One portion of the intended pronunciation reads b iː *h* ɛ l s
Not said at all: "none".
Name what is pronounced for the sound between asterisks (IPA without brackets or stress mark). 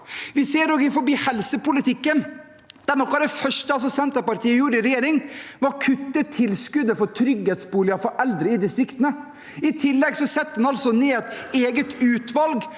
h